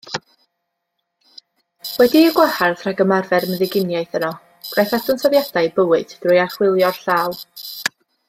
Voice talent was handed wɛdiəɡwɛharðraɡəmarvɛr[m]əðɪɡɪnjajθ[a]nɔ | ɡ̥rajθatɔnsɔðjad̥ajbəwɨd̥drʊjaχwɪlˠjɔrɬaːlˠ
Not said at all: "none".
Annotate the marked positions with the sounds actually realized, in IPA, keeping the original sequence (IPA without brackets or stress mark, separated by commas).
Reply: m, ə